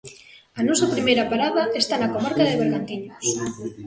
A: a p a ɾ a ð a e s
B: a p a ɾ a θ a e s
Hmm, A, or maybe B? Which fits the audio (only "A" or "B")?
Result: A